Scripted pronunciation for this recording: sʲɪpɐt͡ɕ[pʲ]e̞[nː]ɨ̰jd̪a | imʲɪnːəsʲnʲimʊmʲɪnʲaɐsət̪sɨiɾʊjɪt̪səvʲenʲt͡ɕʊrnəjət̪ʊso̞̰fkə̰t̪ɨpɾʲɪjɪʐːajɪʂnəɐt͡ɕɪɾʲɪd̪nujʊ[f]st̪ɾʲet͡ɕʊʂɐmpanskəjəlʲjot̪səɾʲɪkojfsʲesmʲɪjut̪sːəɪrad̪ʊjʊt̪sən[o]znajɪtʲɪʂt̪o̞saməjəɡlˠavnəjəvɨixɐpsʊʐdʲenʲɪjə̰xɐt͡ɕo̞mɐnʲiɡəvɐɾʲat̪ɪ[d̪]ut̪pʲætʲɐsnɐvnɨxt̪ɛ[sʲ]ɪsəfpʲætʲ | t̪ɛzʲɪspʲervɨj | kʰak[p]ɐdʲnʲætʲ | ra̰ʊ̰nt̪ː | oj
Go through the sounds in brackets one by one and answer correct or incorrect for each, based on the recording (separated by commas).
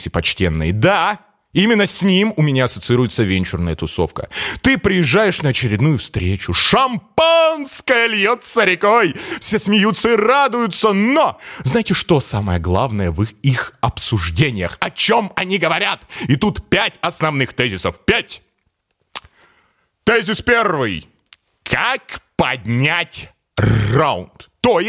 incorrect, correct, correct, correct, incorrect, incorrect, correct